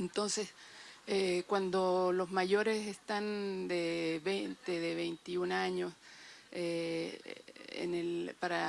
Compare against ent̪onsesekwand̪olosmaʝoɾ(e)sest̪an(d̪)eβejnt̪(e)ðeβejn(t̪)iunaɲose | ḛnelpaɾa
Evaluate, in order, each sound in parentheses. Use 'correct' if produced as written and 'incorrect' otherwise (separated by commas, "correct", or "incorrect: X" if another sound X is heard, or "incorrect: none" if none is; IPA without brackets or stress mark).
correct, correct, correct, correct